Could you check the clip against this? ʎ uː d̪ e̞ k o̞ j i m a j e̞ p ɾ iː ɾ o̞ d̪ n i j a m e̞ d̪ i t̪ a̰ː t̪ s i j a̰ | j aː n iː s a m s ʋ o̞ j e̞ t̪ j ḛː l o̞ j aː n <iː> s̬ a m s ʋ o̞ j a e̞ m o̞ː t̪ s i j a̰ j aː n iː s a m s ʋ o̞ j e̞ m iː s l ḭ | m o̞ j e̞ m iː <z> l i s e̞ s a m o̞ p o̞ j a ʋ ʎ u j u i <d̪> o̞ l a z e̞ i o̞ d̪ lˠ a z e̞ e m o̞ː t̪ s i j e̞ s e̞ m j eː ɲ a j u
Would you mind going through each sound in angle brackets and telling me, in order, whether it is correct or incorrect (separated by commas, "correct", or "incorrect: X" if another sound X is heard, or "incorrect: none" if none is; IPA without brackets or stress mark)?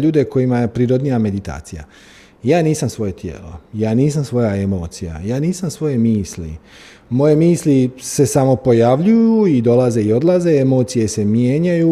correct, incorrect: s, correct